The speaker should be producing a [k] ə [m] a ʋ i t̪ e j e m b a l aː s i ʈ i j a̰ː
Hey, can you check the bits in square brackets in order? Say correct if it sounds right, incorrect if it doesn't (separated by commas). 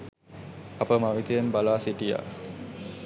incorrect, correct